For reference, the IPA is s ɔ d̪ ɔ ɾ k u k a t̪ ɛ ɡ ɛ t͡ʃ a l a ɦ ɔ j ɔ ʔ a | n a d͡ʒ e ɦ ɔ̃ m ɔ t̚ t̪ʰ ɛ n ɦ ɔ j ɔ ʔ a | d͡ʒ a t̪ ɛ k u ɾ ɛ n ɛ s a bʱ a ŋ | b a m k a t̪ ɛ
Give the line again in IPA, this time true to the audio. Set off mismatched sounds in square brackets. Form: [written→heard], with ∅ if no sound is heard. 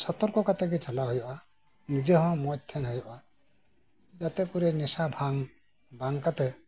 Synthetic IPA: s ɔ [d̪→t̪] ɔ ɾ k [u→ɔ] k a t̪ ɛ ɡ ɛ t͡ʃ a l a ɦ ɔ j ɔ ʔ a | n [a→i] d͡ʒ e ɦ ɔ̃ m ɔ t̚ t̪ʰ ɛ n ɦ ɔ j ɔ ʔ a | d͡ʒ a t̪ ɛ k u ɾ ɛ n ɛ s a bʱ a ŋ | b a [m→ŋ] k a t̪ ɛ